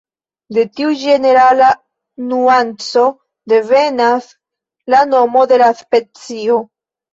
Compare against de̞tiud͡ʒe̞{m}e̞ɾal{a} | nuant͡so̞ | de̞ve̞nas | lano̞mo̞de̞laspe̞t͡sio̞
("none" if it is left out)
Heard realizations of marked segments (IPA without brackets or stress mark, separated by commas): n, a